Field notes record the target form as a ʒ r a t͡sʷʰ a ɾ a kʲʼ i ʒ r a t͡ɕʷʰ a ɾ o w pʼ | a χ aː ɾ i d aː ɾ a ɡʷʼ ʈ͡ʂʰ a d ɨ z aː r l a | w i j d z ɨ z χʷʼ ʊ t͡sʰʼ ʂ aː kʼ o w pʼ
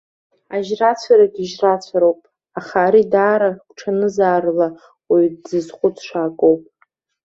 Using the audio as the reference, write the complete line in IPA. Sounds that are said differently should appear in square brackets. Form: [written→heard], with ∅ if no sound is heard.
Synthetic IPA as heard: a ʒ r a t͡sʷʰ a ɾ a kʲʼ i ʒ r a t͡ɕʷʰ a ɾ o w pʼ | a χ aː ɾ i d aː ɾ a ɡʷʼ ʈ͡ʂʰ a [d→n] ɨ z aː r l a | w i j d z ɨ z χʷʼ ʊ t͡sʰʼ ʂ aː kʼ o w pʼ